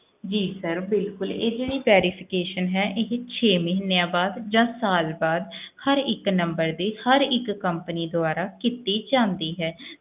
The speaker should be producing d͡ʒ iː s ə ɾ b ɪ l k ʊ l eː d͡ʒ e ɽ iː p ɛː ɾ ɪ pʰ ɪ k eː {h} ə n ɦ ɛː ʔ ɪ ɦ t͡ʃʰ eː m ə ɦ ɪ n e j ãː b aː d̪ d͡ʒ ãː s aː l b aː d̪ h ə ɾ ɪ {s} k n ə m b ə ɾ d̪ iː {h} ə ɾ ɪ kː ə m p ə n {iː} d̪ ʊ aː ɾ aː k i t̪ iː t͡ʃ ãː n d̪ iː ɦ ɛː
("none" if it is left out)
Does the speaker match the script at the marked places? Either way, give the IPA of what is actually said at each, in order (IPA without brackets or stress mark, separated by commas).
ʃ, none, h, iː